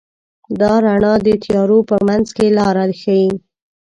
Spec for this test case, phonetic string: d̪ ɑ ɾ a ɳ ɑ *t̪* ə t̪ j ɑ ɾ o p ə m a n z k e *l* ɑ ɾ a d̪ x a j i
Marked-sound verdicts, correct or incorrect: incorrect: d̪, correct

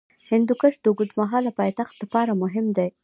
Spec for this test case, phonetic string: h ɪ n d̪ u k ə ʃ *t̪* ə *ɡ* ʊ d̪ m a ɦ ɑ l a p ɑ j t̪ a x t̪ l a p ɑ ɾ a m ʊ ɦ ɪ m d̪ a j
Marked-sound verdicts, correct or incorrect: incorrect: d̪, correct

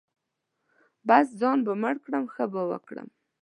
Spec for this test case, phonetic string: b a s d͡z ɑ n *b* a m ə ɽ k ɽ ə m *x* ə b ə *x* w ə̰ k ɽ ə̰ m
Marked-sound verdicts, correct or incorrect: correct, correct, incorrect: none

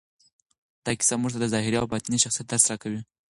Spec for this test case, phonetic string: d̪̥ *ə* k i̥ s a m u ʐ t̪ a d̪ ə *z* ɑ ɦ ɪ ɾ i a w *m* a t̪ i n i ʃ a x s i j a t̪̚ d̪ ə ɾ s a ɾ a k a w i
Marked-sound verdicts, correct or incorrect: incorrect: ɑ, correct, incorrect: b

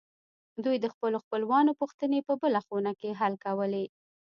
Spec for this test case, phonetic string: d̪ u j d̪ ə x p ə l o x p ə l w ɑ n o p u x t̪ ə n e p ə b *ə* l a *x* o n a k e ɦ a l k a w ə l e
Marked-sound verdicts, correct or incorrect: correct, correct

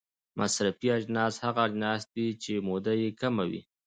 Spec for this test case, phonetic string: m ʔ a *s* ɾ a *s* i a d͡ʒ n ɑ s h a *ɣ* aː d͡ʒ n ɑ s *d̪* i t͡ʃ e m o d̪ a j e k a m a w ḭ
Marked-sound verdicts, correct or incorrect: correct, incorrect: f, correct, correct

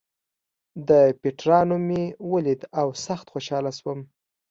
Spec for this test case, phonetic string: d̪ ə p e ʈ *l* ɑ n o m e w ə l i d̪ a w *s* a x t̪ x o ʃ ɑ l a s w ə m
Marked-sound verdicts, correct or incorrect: incorrect: ɾ, correct

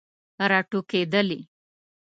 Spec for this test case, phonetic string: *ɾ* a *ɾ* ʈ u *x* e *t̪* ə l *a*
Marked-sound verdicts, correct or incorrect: correct, incorrect: none, incorrect: k, incorrect: d̪, incorrect: i

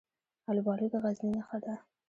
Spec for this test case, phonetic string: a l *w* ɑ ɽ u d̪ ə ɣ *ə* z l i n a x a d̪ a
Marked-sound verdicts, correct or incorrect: incorrect: b, incorrect: a

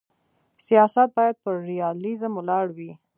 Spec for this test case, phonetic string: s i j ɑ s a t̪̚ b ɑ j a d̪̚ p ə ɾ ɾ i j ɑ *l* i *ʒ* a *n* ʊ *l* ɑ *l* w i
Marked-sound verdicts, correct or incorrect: correct, incorrect: z, incorrect: m, correct, incorrect: ɽ

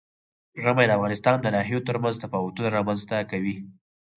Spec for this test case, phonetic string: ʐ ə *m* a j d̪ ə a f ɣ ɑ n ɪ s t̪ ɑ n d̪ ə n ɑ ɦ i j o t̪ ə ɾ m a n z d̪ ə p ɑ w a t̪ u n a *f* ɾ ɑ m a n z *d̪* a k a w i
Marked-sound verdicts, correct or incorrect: correct, incorrect: none, incorrect: t̪

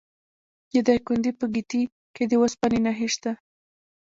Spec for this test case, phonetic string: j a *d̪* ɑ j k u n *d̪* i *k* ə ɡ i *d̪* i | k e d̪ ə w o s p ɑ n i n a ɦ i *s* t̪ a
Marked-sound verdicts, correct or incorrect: correct, correct, incorrect: p, incorrect: t̪, incorrect: ʃ

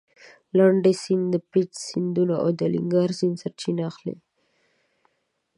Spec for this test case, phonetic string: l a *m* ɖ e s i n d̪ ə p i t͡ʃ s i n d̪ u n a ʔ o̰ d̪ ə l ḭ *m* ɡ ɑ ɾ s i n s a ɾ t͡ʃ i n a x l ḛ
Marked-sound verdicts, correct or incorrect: incorrect: ɳ, incorrect: ŋ

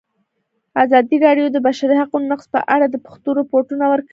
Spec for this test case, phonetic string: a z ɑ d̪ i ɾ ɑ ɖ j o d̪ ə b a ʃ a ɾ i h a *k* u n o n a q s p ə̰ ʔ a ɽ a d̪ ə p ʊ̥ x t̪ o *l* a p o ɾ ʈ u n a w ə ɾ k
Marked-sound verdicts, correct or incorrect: incorrect: q, incorrect: ɾ

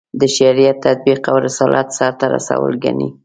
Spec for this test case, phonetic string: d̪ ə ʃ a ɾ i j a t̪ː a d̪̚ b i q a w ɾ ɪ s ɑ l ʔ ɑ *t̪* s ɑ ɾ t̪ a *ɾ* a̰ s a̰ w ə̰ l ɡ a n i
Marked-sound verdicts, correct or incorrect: correct, correct

